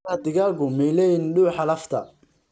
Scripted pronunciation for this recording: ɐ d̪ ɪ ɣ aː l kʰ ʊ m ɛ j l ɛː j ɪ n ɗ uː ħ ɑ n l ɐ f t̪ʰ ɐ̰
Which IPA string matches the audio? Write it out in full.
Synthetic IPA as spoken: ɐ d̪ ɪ ɣ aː l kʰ ʊ m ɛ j l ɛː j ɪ n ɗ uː ħ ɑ l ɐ f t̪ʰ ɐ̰

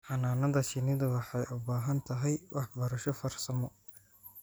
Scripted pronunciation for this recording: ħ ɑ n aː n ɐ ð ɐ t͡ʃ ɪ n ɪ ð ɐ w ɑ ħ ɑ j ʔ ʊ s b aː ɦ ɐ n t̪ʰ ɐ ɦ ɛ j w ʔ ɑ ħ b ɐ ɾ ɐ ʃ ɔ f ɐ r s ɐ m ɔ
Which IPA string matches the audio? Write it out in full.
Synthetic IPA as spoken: ħ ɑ n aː n ɐ ð ɐ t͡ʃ ɪ n ɪ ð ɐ w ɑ ħ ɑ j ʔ ʊ b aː ɦ ɐ n t̪ʰ ɐ ɦ ɛ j w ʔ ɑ ħ b ɐ ɾ ɐ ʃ ɔ f ɐ r s ɐ m ɔ

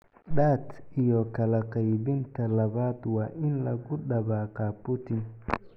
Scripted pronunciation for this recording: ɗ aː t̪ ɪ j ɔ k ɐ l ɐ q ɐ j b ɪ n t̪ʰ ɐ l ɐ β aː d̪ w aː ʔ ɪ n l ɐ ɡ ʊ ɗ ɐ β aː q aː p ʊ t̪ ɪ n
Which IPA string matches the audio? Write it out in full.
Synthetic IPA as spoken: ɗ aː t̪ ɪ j ɔ k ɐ l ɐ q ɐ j b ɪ n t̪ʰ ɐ l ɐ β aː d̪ w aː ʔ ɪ n l ɐ ɡ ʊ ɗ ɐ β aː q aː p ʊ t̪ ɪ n

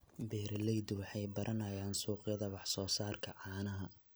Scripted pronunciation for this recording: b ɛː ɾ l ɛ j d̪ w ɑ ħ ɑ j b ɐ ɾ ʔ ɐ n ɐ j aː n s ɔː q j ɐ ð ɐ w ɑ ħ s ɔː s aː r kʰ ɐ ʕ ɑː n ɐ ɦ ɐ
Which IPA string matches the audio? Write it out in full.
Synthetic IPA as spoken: b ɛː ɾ l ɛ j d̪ w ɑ ħ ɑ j b ɐ ɾ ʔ ɐ n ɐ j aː n s uː q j ɐ ð ɐ w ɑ ħ s ɔː s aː r kʰ ɐ ʕ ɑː n ɐ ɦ ɐ

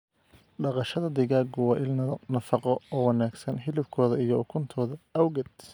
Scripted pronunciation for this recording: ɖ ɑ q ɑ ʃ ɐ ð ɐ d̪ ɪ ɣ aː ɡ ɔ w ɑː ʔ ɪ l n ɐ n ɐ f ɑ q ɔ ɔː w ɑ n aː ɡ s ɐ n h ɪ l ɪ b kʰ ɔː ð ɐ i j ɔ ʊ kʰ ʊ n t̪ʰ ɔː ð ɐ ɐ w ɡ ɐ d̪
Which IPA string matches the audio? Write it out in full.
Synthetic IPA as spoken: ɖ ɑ q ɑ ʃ ɐ ð ɐ d̪ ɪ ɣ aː ɡ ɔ w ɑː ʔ ɪ l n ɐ n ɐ f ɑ q ɔ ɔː w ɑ n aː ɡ s ɐ n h ɪ l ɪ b kʰ ɔː ð ɐ i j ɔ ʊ kʰ ʊ n t̪ʰ ɔː ð ɐ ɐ w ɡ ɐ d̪

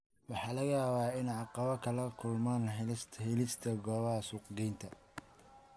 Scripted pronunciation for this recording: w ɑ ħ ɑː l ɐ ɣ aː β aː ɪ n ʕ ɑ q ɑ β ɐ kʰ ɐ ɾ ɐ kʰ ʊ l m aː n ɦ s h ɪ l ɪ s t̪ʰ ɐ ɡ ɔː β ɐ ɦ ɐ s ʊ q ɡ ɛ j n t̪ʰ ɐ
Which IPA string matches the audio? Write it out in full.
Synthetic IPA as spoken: w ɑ ħ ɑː l ɐ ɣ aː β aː ɪ n ʕ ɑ q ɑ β ɐ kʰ ɐ l ɐ kʰ ʊ l m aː n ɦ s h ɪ l ɪ s t̪ʰ ɐ ɡ ɔː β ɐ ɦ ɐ s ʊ q ɡ ɛ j n t̪ʰ ɐ

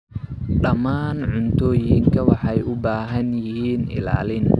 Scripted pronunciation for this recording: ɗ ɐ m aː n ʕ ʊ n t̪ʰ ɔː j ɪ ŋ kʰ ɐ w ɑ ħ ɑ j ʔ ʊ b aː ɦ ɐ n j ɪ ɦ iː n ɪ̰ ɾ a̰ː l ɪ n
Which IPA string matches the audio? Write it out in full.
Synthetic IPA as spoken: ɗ ɐ m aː n ʕ ʊ n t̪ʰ ɔː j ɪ ŋ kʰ ɐ w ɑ ħ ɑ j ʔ ʊ b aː ɦ ɐ n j ɪ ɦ iː n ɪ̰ l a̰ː l ɪ n

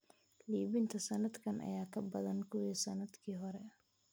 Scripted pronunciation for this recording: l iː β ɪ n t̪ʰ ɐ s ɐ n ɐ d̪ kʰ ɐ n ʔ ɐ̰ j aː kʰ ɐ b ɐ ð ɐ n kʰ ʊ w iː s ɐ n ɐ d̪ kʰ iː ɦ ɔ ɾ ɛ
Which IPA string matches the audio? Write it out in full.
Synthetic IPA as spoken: l iː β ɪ n t̪ʰ ɐ s ɐ n ɐ d̪ kʰ ɐ n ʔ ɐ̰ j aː kʰ ɐ b ɐ ð ɐ n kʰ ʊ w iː s ɐ n ɐ d̪ kʰ iː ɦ ɔ ɾ ɛ

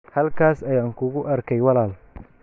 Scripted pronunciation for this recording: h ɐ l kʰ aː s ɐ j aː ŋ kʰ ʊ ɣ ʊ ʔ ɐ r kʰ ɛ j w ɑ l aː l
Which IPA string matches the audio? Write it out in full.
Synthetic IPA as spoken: h ɐ l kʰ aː s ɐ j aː ŋ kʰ ʊ ɣ ʊ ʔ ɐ r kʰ ɛ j w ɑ l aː l

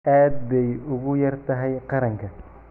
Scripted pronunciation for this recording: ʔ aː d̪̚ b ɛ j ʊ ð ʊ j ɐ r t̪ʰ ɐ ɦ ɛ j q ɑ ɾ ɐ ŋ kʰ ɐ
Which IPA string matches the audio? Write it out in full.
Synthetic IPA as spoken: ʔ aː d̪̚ b ɛ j ʊ ɣ ʊ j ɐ r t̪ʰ ɐ ɦ ɛ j q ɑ ɾ ɐ ŋ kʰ ɐ

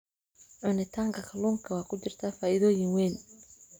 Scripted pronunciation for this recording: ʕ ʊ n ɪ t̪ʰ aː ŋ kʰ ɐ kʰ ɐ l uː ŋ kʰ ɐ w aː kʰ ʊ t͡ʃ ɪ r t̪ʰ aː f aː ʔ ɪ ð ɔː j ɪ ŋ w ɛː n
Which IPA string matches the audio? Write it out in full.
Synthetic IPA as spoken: ʕ ʊ n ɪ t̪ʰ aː ŋ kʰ ɐ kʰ ɐ l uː ŋ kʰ ɐ w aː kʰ ʊ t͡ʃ ɪ r t̪ʰ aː f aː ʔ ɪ ð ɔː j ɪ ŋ w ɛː n

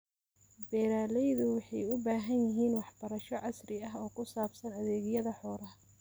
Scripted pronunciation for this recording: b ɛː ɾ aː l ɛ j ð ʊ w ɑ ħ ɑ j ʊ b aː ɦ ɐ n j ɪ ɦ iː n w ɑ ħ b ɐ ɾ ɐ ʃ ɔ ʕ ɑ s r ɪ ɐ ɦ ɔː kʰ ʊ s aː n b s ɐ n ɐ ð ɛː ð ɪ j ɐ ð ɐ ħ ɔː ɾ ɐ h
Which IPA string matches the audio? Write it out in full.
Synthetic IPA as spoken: b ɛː ɾ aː l ɛ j ð ʊ w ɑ ħ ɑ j ʊ b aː ɦ ɐ n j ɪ ɦ iː n w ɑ ħ b ɐ ɾ ɐ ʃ ɔ ʕ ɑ s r ɪ ɐ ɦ ɔː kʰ ʊ s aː b s ɐ n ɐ ð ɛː ɣ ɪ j ɐ ð ɐ ħ ɔː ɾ ɐ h

